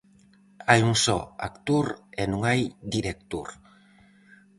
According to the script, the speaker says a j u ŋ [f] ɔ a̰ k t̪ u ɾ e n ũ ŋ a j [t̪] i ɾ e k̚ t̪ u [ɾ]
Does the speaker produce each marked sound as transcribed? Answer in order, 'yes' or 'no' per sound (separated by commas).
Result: no, no, yes